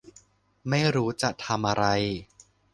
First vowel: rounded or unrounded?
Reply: unrounded